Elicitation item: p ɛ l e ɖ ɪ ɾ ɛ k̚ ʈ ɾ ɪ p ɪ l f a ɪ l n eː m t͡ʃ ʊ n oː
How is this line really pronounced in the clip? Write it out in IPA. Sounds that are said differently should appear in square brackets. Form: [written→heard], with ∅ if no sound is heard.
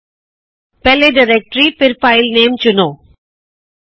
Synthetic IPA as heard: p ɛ l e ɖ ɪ ɾ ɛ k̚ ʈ ɾ [ɪ→i] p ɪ [l→ɾ] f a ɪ l n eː m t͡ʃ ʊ n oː